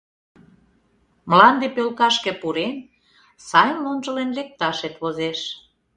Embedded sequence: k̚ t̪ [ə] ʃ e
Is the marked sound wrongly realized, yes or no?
yes